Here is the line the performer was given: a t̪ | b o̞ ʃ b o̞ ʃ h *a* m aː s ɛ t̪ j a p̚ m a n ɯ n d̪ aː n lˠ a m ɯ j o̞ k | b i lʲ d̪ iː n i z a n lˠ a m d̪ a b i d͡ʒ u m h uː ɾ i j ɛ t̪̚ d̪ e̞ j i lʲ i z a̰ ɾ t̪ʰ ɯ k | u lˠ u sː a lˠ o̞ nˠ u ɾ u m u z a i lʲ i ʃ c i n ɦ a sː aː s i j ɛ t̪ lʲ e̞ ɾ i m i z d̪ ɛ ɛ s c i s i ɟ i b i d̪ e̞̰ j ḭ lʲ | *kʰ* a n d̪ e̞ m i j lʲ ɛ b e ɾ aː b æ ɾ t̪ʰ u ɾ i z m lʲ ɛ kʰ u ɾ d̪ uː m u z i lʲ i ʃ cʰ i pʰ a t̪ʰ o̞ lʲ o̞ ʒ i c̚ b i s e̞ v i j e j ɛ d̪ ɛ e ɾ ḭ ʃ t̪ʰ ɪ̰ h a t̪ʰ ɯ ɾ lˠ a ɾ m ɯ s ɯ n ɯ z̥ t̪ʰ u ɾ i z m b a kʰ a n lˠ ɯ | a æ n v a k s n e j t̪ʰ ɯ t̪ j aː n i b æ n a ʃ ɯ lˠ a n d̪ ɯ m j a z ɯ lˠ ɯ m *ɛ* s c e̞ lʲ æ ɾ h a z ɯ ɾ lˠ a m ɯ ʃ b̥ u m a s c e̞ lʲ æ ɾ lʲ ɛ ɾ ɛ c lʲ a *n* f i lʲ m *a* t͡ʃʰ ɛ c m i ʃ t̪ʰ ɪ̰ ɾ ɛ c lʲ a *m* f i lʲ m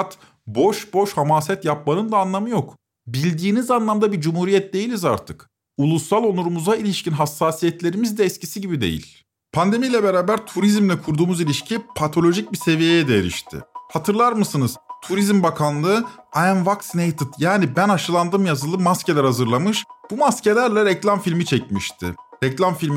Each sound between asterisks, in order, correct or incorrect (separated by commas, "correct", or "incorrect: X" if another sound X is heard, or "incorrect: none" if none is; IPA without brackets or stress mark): correct, incorrect: pʰ, incorrect: a, incorrect: m, incorrect: i, correct